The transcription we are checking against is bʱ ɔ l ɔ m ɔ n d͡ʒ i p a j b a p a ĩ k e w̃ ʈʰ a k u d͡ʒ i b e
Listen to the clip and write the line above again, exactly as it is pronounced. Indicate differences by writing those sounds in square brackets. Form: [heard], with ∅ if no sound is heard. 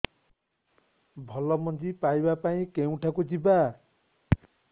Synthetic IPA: bʱ ɔ l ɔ m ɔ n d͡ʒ i p a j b a p a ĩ k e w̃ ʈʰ a k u d͡ʒ i b [a]